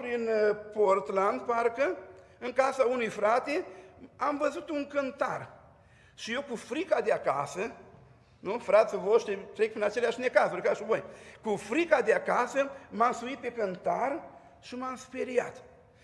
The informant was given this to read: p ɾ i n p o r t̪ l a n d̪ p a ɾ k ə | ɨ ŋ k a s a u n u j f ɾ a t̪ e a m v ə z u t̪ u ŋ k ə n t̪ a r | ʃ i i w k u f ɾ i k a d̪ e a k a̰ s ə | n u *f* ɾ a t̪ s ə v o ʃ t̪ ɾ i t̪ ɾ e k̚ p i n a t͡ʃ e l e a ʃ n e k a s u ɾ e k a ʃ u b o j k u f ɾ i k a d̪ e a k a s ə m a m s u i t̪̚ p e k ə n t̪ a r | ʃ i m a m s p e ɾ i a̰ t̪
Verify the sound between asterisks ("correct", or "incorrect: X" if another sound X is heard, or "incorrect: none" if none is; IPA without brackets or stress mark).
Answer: correct